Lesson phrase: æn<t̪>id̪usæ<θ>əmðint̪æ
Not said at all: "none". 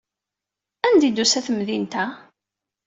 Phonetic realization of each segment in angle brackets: d̪, θ

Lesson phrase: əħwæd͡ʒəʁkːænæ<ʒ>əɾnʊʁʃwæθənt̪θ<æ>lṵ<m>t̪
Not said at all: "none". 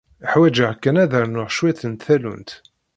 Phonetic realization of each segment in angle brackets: ð, æ, n

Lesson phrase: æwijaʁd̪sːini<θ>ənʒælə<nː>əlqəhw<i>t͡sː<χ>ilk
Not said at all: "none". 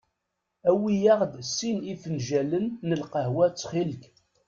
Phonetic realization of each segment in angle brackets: f, nː, æ, χ

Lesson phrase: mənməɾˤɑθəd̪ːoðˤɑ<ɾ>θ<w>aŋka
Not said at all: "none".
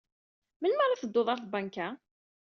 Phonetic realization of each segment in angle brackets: ɾ, b

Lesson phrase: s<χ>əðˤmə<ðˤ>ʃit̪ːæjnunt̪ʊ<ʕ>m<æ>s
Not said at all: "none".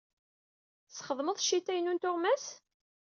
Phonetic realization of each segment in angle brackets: χ, ðˤ, ʁ, æ

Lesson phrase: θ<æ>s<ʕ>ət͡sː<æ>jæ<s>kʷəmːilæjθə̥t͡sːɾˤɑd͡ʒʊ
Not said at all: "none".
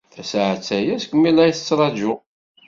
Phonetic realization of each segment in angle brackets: æ, ʕ, æ, s

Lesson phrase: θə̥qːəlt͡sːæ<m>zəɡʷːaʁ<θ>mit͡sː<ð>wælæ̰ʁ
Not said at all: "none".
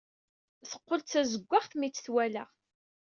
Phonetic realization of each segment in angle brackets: none, θ, θ

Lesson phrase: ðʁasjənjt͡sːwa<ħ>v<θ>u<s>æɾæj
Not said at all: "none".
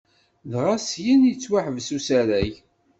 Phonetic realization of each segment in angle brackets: ħ, s, s

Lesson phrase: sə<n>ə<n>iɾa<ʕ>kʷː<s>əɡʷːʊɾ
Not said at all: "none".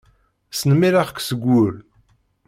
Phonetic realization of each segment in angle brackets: n, m, ʁ, s

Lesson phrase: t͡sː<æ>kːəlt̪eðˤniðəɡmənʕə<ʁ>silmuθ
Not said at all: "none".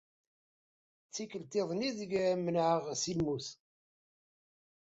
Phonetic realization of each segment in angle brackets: i, ʁ

